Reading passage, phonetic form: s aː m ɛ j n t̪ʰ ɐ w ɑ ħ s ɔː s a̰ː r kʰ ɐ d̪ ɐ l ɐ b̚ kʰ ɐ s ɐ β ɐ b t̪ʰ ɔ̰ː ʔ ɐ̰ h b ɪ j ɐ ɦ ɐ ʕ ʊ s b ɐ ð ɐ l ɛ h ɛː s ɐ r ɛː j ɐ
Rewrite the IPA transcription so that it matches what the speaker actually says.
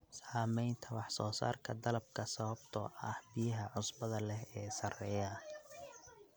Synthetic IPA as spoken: s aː m ɛ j n t̪ʰ ɐ w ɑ ħ s ɔː s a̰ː r kʰ ɐ d̪ ɐ l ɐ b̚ kʰ ɐ s ɐ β ɐ b t̪ʰ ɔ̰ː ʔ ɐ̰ h b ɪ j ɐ ɦ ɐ ʕ ʊ s b ɐ ð ɐ l ɛ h ɛː s ɐ r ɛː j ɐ